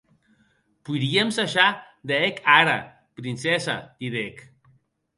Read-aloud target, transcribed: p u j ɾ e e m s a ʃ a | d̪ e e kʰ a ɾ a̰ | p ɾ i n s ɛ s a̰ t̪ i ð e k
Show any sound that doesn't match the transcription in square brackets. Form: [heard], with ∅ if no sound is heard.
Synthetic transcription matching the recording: p u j ɾ [i] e m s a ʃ a | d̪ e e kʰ a ɾ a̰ | p ɾ i n s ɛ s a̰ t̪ i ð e k